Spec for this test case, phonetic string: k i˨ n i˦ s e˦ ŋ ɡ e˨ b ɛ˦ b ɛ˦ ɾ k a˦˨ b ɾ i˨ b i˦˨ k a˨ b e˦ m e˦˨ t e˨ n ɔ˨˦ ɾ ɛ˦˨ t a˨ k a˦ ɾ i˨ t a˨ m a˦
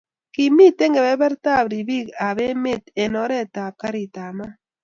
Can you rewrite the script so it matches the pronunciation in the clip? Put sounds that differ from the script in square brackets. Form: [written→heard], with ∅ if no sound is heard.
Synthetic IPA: k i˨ [n→m] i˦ [s→t] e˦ ŋ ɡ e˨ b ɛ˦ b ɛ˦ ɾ [k→t] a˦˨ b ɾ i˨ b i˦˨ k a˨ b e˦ m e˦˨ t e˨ n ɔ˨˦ ɾ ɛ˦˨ t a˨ k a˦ ɾ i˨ t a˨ m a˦